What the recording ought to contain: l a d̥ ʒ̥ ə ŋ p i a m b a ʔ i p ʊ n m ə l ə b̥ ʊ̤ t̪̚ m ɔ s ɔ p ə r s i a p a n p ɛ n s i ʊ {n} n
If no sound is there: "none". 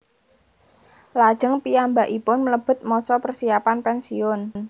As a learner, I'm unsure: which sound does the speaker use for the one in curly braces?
n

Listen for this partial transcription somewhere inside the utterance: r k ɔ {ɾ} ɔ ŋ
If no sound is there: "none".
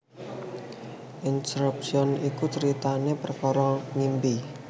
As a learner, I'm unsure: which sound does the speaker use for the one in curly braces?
ɾ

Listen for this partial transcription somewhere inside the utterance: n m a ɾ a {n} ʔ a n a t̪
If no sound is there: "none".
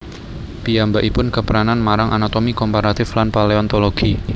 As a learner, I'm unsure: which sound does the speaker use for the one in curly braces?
ŋ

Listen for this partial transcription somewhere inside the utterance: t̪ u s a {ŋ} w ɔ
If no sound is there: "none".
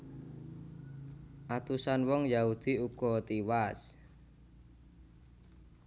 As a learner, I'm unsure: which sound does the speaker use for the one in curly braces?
n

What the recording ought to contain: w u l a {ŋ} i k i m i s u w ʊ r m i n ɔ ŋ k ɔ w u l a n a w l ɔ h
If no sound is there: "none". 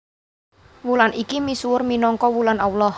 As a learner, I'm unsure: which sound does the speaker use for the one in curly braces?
n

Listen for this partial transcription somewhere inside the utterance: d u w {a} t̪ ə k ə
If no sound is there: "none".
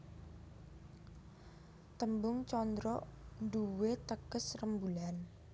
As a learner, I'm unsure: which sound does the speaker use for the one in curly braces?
e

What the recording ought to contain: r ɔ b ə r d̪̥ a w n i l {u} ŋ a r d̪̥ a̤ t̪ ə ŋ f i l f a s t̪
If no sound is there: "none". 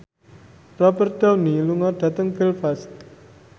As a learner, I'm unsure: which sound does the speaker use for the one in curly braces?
u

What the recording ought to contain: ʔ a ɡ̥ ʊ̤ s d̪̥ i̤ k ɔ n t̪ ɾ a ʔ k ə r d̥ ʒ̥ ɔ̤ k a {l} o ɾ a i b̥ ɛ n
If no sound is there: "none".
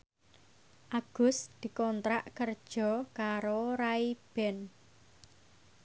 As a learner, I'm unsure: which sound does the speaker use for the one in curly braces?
ɾ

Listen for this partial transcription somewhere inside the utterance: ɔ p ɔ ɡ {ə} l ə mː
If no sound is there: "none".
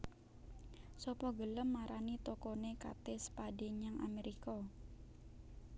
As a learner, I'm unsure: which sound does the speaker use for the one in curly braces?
ə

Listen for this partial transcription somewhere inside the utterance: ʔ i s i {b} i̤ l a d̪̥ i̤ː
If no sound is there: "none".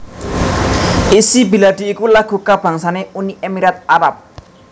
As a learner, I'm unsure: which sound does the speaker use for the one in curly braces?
b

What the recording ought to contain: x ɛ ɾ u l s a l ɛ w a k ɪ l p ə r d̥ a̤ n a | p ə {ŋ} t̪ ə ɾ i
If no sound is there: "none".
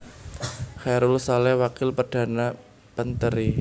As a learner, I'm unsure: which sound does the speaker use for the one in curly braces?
n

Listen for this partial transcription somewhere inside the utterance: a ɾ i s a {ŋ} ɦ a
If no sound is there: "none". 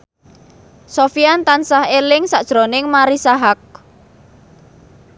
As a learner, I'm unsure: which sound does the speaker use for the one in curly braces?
none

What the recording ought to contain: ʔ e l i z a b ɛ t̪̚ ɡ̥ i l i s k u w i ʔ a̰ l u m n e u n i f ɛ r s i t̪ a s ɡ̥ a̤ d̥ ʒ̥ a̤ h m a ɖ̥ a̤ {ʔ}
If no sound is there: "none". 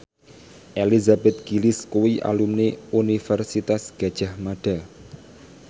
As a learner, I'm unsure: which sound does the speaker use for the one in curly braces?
none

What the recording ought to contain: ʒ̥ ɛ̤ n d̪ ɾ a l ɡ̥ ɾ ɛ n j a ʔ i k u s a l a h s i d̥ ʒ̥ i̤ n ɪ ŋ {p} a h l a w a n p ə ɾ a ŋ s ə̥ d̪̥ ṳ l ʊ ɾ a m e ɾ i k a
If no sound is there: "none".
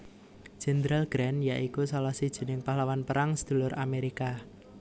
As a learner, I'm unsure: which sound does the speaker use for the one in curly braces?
p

